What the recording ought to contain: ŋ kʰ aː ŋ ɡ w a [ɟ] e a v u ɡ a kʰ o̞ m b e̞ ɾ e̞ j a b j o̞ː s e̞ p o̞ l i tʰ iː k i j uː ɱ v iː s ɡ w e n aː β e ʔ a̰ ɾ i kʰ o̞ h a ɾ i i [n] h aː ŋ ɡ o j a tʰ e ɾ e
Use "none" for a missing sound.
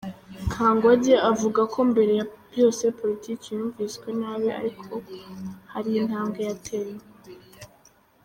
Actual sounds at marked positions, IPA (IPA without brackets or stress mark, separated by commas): ɟ, n